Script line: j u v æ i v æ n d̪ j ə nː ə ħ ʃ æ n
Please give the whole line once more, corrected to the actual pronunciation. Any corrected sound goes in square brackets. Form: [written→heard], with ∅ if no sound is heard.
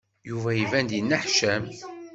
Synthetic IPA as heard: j u v æ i v æ n d̪ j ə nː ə ħ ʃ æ [n→m]